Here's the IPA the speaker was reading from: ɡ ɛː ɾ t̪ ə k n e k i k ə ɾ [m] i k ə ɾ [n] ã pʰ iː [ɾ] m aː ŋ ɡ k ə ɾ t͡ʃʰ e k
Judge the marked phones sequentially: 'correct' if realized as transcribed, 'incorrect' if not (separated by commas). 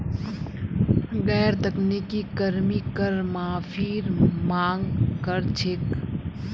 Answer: correct, incorrect, correct